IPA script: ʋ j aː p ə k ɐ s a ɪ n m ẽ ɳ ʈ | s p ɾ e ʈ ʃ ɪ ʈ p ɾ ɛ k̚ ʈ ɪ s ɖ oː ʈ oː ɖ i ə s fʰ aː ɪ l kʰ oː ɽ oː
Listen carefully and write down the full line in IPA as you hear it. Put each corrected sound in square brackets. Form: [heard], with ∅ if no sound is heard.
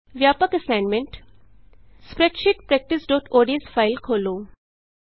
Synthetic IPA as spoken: ʋ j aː p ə k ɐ s a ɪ n m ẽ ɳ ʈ | s p ɾ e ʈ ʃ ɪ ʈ p ɾ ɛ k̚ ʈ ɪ s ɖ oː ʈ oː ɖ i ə s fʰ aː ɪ l kʰ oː [l] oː